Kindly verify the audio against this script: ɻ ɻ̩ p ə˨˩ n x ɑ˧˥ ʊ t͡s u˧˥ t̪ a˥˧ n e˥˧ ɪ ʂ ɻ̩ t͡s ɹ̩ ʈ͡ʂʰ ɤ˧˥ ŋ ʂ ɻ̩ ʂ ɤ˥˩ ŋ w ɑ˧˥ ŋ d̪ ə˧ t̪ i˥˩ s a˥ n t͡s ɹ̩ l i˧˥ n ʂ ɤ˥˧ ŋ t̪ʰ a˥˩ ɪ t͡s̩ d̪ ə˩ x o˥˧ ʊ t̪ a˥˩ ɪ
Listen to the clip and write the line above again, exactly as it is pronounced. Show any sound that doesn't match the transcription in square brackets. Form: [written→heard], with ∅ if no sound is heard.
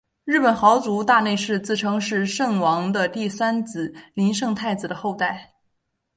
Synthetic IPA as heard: ɻ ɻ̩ p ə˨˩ n x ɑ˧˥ ʊ t͡s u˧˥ t̪ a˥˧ n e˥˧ ɪ ʂ ɻ̩ t͡s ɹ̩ ʈ͡ʂʰ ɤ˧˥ ŋ ʂ ɻ̩ ʂ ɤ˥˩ ŋ w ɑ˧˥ ŋ d̪ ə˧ t̪ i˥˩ s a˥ n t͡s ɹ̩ l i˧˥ n ʂ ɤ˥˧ ŋ t̪ʰ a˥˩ ɪ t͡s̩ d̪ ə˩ x o˥˧ ʊ t̪ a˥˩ ɪ